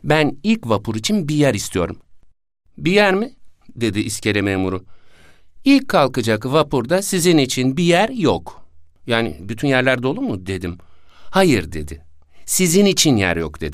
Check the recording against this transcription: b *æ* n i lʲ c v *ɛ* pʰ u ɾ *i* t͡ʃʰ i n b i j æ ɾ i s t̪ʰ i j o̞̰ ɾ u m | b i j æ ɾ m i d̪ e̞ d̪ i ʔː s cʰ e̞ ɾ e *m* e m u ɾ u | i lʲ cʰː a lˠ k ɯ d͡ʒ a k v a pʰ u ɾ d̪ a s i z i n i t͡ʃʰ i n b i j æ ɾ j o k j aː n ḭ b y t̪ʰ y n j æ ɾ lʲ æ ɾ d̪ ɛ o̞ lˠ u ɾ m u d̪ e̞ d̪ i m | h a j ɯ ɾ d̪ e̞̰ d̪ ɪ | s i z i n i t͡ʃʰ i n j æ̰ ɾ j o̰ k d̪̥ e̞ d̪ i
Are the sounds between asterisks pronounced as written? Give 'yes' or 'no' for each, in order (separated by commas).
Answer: yes, no, yes, yes